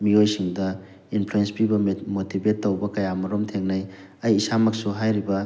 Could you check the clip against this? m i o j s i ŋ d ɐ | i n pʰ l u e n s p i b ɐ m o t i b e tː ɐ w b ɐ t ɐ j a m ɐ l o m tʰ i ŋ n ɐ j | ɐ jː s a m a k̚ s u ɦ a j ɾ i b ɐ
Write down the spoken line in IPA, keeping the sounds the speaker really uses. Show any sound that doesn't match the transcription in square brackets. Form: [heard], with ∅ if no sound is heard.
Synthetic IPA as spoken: m i o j s i ŋ d ɐ | i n pʰ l u e n s p i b ɐ m o t i b e tː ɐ w b ɐ [k] ɐ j a m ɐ [ɾ] o m tʰ [e] ŋ n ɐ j | ɐ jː s a m [ɐ] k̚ s u ɦ a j ɾ i b ɐ